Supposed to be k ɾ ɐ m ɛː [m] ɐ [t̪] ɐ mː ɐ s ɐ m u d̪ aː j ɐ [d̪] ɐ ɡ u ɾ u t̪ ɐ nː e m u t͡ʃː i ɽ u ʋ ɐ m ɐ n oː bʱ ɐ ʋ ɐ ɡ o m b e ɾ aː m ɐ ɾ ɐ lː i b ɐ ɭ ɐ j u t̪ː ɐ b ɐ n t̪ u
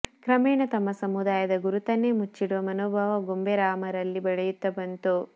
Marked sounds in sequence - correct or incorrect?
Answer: incorrect: ɳ, correct, correct

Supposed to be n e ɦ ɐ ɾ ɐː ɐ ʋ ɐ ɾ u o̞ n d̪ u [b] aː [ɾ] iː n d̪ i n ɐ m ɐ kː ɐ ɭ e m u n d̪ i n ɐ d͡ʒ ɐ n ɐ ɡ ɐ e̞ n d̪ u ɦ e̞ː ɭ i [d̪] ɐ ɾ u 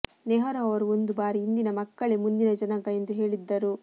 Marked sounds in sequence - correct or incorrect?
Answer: correct, correct, incorrect: d̪ː

